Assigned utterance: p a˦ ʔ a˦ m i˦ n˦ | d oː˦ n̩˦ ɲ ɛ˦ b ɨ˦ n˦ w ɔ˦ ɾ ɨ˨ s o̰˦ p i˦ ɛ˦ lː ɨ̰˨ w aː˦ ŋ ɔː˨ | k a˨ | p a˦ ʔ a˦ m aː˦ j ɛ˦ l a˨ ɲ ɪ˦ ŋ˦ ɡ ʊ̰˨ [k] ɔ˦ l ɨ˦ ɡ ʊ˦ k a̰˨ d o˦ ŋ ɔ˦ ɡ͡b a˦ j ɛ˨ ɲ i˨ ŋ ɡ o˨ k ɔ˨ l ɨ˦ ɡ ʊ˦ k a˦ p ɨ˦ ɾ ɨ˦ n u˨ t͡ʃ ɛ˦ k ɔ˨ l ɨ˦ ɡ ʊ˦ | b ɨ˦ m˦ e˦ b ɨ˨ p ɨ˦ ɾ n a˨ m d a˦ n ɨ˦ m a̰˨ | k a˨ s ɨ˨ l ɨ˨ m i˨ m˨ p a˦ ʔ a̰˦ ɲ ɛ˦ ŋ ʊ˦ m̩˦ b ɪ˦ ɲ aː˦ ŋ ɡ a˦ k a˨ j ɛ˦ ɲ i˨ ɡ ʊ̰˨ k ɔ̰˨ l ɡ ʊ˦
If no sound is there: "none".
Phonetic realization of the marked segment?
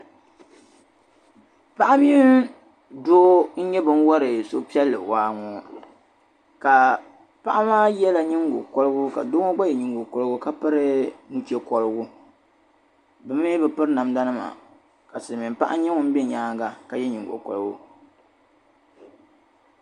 k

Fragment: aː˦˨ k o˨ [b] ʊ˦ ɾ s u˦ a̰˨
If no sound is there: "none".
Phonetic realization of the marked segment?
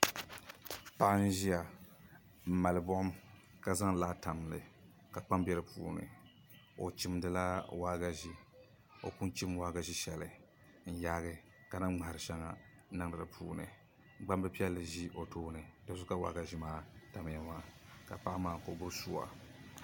b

